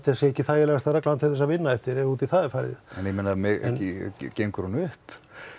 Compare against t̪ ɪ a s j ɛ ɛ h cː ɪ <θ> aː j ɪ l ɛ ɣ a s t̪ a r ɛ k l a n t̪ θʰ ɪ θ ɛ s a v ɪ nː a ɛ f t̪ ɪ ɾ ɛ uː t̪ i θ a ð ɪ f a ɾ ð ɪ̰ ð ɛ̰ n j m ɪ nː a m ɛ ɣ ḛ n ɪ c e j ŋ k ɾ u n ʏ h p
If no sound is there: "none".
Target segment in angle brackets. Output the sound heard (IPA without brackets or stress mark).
θ